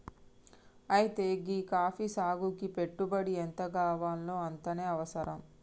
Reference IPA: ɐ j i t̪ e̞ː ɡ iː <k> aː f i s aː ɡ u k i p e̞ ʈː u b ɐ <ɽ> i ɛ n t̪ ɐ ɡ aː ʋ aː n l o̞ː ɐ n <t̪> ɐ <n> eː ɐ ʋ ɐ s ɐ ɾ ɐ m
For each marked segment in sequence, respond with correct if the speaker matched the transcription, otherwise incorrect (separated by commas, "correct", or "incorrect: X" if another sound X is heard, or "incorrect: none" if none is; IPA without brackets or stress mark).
correct, correct, correct, correct